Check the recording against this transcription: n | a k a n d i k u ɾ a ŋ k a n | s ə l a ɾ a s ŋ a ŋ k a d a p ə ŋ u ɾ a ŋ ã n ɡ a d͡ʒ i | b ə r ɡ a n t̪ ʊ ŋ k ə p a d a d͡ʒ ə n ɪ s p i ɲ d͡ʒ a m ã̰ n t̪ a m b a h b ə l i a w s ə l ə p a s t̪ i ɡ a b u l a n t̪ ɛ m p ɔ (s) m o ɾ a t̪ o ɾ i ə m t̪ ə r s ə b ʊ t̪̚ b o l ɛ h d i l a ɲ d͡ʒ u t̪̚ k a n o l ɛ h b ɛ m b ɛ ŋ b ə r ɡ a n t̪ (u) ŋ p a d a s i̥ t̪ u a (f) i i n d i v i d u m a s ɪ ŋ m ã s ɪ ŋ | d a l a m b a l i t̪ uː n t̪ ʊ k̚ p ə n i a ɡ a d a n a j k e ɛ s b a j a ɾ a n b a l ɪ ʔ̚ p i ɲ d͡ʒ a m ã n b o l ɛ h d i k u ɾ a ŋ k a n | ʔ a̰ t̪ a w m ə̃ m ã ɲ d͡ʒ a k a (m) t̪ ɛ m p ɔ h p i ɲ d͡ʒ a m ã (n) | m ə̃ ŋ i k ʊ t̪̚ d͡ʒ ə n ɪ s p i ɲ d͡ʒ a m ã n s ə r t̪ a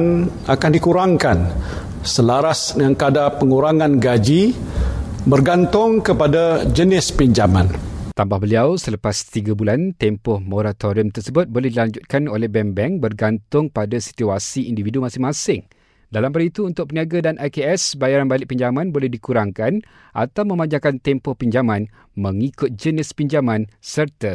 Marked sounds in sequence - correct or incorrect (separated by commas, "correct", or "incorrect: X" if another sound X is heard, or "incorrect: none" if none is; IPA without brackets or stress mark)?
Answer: incorrect: h, incorrect: ʊ, incorrect: s, incorrect: n, correct